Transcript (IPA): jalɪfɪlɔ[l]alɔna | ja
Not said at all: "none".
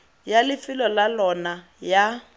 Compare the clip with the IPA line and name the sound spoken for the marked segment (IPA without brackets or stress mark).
l